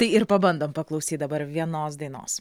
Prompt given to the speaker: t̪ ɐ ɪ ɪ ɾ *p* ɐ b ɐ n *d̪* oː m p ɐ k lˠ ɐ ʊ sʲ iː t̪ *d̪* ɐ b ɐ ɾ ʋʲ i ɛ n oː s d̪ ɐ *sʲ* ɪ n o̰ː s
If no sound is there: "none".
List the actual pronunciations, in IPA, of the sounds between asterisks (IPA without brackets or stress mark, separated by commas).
p, d̪, d̪, none